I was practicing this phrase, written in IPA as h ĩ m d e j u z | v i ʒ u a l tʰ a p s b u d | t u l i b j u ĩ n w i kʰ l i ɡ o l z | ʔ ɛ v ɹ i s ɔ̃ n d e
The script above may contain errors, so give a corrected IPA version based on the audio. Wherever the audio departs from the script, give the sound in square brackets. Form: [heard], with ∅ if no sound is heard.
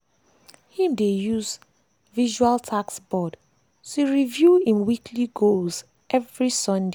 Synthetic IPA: h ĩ m d e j u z | v i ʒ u a l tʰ a [k] s b [ɔ] d | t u [ɹ] i [v] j u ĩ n w i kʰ l i ɡ o l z | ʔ ɛ v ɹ i s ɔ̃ n d e